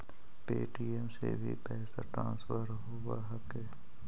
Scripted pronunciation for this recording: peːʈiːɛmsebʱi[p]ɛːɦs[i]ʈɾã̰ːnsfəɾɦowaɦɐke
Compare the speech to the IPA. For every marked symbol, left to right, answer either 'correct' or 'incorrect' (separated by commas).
correct, incorrect